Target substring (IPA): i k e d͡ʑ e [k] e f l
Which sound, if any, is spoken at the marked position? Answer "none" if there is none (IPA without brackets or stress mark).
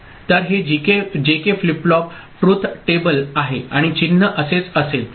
k